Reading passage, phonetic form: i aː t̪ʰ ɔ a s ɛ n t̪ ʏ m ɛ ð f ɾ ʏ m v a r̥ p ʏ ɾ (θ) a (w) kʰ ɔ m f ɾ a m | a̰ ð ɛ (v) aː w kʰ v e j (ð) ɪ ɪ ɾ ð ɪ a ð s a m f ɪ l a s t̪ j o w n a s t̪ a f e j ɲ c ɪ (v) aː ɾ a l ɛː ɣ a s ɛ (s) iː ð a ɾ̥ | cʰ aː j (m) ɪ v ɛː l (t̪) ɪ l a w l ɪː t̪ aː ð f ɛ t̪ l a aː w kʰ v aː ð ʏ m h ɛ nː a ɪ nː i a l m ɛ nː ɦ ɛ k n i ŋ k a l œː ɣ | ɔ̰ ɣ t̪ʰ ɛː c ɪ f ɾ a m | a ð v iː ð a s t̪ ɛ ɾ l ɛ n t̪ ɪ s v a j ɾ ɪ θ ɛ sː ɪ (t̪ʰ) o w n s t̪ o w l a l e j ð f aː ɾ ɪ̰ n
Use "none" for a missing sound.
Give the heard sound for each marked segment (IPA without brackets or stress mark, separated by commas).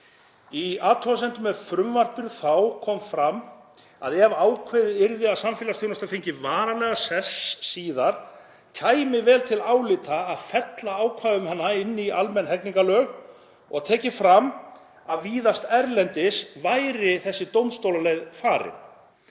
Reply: θ, w, v, ð, v, sː, m, t̪ʰ, t̪